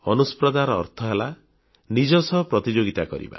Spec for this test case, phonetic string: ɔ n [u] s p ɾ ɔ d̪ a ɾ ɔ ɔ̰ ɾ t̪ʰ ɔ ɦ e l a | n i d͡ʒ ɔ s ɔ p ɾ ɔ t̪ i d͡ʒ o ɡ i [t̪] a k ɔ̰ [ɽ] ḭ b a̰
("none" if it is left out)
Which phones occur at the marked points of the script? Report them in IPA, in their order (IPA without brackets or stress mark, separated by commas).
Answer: u, t̪, ɾ